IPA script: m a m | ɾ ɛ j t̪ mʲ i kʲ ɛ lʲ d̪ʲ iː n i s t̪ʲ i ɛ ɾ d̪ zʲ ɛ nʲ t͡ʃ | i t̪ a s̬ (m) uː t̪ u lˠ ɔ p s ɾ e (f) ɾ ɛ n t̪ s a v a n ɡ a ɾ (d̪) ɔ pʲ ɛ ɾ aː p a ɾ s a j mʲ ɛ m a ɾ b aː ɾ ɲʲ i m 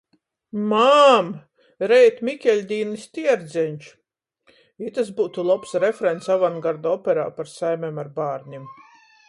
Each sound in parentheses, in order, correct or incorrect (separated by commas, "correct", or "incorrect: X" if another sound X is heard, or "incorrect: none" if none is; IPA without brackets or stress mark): incorrect: b, correct, correct